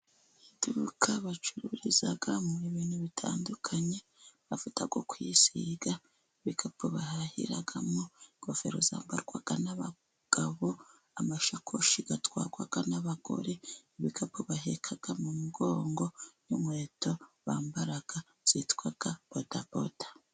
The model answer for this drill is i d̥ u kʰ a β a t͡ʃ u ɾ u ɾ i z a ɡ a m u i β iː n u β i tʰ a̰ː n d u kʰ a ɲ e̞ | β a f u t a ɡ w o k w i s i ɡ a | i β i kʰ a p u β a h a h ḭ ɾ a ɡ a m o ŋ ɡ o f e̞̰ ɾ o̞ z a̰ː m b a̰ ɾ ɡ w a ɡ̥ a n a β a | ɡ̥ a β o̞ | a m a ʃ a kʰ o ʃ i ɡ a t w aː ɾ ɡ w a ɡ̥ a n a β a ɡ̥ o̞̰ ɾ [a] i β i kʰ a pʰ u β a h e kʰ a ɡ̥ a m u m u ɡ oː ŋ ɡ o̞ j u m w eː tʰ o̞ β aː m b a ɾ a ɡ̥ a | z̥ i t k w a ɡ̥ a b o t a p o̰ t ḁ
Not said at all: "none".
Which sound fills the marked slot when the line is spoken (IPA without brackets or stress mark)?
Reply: e